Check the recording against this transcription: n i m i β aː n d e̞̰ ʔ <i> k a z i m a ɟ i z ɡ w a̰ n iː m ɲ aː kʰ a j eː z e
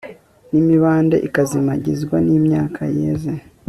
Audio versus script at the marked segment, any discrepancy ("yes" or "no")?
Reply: no